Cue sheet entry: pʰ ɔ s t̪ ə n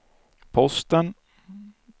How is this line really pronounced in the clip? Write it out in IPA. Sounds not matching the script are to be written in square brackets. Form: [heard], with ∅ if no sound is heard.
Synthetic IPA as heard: pʰ ɔ s t̪ ə n